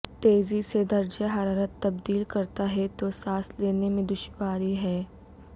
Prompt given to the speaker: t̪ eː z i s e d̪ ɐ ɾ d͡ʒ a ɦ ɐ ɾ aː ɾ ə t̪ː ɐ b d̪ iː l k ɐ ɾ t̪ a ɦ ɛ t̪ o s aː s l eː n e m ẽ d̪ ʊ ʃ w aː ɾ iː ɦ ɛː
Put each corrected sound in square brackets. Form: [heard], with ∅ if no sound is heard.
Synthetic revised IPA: t̪ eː z i s e d̪ ɐ ɾ d͡ʒ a ɦ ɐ ɾ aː ɾ ə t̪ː ɐ b d̪ iː l k ɐ ɾ t̪ a ɦ ɛ t̪ o s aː s l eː n e m ẽ d̪ ʊ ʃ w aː ɾ [i] ɦ ɛː